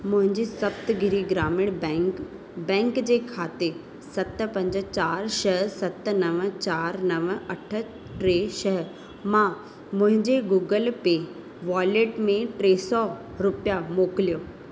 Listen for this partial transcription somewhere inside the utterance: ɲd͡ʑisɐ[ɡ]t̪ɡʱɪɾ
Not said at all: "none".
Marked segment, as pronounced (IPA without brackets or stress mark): b